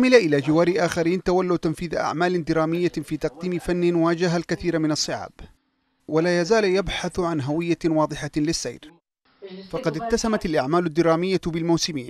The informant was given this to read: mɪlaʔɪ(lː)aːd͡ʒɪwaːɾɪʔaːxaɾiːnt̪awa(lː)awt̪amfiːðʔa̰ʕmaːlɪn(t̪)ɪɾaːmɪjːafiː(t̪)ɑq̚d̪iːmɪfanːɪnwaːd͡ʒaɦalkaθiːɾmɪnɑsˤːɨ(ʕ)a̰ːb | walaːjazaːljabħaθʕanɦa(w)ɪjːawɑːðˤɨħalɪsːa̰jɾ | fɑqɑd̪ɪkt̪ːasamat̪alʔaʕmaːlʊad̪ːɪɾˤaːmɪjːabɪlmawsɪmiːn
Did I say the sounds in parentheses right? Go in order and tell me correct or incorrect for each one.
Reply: incorrect, correct, incorrect, correct, correct, correct

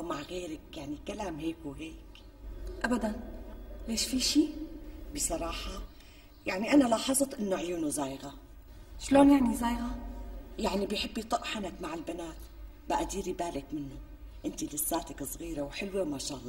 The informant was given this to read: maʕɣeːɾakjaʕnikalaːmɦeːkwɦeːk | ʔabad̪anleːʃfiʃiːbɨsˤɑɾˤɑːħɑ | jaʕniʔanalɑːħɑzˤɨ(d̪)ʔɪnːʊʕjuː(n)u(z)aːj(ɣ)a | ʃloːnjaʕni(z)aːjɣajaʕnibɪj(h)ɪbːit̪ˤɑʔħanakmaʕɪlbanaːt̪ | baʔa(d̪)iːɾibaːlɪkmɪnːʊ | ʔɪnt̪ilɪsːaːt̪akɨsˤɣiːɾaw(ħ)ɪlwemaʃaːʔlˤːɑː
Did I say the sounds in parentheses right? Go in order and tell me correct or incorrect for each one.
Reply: incorrect, correct, correct, correct, correct, incorrect, correct, correct

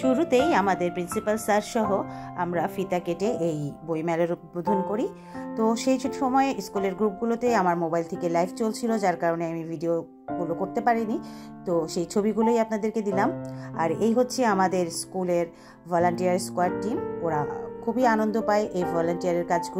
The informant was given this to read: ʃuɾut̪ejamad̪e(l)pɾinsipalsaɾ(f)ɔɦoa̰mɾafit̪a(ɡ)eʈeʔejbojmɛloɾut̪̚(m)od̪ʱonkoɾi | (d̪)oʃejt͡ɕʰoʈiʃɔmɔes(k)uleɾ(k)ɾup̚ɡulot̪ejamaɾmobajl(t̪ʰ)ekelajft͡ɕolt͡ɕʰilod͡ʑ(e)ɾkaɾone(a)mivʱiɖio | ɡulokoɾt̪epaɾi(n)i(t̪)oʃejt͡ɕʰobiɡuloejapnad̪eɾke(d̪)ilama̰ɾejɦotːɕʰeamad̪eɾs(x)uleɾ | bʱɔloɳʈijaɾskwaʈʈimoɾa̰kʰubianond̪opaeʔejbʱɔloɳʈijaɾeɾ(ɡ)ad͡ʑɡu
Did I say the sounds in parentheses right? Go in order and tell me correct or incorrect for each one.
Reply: incorrect, incorrect, incorrect, incorrect, incorrect, correct, incorrect, correct, incorrect, correct, correct, correct, correct, incorrect, incorrect

